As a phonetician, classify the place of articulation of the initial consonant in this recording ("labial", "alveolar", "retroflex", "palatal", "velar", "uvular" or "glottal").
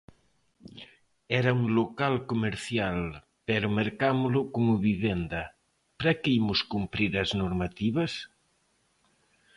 alveolar